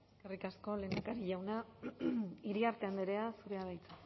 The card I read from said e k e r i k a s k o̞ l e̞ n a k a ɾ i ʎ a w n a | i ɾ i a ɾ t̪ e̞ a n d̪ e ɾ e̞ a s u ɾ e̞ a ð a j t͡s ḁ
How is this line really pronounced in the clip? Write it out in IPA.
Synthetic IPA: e k e r i k a s k o̞ l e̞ n a k a ɾ i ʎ a w n a | i ɾ i a ɾ t̪ e̞ a n d̪ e ɾ e̞ a s u ɾ e̞ a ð a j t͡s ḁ